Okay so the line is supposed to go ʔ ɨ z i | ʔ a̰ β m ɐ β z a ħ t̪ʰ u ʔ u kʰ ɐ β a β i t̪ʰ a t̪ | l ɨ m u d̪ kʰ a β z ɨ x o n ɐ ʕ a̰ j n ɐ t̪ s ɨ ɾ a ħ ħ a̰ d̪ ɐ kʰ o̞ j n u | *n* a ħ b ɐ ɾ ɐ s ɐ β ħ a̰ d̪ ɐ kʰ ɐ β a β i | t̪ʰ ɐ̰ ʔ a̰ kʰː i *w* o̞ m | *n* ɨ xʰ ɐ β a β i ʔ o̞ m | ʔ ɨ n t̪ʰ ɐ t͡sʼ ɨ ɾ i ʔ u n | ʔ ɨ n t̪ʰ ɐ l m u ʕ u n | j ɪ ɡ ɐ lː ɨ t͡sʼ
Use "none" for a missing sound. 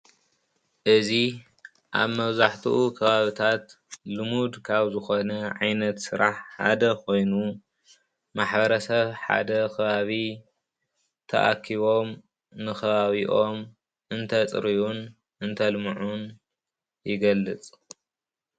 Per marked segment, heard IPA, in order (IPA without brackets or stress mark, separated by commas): m, β, n